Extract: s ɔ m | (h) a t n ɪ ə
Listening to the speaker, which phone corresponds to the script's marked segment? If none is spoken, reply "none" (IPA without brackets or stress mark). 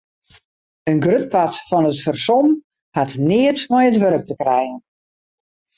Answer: h